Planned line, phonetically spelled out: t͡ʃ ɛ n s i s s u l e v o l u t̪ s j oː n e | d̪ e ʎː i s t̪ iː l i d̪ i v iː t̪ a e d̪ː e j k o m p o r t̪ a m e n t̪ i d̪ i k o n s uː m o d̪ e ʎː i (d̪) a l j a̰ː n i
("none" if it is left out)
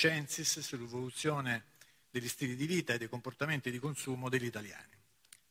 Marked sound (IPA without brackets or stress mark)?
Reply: t̪